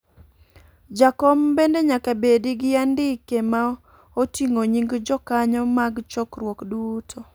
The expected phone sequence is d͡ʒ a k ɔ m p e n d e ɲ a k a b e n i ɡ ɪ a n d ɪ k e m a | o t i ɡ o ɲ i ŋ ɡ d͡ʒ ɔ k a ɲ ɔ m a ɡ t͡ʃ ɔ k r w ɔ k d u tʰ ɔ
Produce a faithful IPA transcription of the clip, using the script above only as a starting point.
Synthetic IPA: d͡ʒ a k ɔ m b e n d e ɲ a k a b e d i ɡ ɪ a n d ɪ k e m a | o t i ŋ o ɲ i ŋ ɡ d͡ʒ ɔ k a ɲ ɔ m a ɡ t͡ʃ ɔ k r w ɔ k d u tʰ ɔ